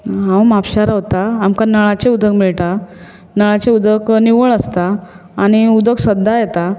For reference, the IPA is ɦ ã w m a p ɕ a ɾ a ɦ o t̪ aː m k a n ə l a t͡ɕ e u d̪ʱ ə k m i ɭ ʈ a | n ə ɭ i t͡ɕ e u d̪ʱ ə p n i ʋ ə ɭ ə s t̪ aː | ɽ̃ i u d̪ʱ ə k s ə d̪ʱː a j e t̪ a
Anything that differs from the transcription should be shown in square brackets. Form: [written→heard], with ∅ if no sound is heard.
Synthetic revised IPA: ɦ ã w m a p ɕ a ɾ a ɦ o t̪ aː m k a n ə [l→ɭ] a t͡ɕ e u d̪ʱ ə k m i ɭ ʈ a | n ə ɭ [i→a] t͡ɕ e u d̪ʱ ə [p→k] n i ʋ ə ɭ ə s t̪ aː | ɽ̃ i u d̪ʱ ə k s ə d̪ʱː a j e t̪ a